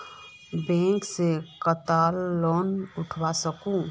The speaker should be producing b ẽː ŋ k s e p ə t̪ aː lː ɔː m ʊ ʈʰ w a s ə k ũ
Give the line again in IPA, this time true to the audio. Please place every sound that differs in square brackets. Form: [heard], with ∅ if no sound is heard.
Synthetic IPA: b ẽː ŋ k s e [k] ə t̪ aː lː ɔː [n] ʊ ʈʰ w a s ə k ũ